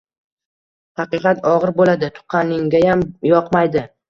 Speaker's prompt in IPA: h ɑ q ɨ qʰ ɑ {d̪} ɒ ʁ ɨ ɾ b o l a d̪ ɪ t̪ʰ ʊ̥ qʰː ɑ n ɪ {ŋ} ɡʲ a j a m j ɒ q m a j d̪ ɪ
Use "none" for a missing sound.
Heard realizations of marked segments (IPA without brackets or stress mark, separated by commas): t̪, ŋ